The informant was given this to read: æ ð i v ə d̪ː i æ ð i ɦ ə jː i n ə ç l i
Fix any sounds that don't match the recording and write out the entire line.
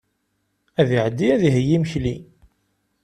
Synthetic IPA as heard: æ ð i ʕ ə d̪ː i æ ð i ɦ ə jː i m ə ç l i

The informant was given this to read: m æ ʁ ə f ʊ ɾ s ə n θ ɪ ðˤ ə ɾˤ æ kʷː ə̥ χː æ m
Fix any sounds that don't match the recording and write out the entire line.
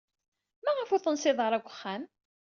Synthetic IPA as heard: m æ ʁ ə f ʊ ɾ θ ə n s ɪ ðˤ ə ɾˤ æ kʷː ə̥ χː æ m

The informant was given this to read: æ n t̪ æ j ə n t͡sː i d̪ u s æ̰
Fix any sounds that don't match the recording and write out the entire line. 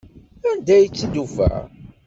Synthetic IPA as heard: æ n d̪ æ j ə t͡sː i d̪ u f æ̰

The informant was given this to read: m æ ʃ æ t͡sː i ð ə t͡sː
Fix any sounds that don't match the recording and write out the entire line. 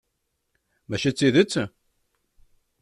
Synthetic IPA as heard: m æ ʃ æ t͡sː i ð ə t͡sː

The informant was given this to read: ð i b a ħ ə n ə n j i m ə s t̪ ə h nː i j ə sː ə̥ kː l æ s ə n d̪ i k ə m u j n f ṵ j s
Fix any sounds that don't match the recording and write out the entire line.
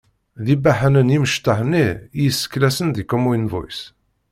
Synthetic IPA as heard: ð i b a ħ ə n ə n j i m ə ʃ t̪ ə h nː i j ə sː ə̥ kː l æ s ə n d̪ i k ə m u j n v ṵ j s

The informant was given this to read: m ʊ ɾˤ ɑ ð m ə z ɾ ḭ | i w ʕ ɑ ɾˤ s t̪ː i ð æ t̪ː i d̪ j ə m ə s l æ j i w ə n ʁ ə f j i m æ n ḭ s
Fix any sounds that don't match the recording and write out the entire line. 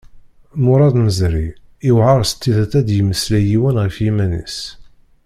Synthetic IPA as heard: m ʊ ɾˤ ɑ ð m ə z ɾ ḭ | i w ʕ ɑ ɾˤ s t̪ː i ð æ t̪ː æ d̪ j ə m ə s l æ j i w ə n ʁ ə f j i m æ n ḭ s

